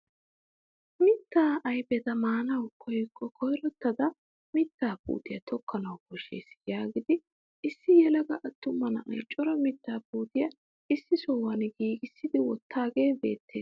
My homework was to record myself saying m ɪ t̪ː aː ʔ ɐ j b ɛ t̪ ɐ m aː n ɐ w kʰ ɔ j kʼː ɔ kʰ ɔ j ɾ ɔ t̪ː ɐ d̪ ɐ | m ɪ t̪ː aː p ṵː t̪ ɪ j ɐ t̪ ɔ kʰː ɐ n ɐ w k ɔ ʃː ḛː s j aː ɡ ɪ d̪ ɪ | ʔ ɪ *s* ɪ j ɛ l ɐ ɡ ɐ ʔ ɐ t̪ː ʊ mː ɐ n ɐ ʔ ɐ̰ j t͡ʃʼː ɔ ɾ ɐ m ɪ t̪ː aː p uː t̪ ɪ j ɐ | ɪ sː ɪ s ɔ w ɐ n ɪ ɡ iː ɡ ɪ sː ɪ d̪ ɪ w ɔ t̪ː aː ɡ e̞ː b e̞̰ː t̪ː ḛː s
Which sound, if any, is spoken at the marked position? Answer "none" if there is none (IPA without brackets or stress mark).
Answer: sː